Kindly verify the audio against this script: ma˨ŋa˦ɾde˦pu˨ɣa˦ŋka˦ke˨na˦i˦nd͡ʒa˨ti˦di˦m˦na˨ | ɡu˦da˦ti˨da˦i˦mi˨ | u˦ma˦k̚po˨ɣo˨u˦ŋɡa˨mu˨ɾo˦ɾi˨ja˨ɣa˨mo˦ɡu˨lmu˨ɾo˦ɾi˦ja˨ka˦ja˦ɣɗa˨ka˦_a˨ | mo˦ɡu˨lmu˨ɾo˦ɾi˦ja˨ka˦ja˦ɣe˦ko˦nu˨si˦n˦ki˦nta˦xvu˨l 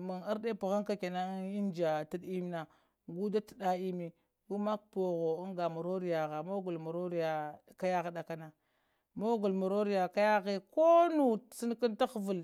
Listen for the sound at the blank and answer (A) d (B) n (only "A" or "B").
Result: B